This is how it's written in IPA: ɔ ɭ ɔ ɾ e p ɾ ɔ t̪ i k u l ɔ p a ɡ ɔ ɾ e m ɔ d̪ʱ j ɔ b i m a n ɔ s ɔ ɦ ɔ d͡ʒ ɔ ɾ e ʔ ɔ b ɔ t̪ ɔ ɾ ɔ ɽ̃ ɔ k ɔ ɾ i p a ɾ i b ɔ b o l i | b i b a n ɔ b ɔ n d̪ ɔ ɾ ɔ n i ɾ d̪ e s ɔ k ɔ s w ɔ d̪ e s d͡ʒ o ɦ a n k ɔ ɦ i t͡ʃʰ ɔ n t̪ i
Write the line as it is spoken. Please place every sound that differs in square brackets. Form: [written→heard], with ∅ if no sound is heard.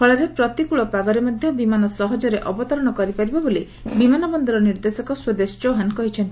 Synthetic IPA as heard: ɔ ɭ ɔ ɾ e p ɾ ɔ t̪ i k u [l→ɭ] ɔ p a ɡ ɔ ɾ e m ɔ d̪ʱ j ɔ b i m a n ɔ s ɔ ɦ ɔ d͡ʒ ɔ ɾ e ʔ ɔ b ɔ t̪ ɔ ɾ ɔ ɽ̃ ɔ k ɔ ɾ i p a ɾ i b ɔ b o l i | b i [b→m] a n ɔ b ɔ n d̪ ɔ ɾ ɔ n i ɾ d̪ e s ɔ k ɔ s w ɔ d̪ e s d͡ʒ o ɦ a n k ɔ ɦ i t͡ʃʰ ɔ n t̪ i